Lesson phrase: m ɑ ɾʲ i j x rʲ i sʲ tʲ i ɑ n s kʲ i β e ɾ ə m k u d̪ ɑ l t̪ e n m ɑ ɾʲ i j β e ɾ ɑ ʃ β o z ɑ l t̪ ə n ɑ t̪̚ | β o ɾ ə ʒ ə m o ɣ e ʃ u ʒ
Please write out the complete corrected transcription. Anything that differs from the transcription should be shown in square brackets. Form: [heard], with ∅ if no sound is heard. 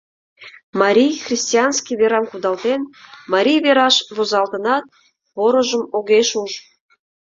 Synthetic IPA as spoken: m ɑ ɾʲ i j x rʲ i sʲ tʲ i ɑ n s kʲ i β e ɾ [ɑ] m k u d̪ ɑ l t̪ e n m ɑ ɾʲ i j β e ɾ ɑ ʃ β o z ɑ l t̪ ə n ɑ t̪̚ | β o ɾ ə ʒ ə m o ɣ e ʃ u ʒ